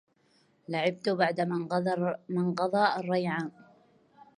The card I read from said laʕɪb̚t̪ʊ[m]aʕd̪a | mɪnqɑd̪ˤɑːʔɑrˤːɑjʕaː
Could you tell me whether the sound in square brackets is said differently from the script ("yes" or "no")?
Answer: yes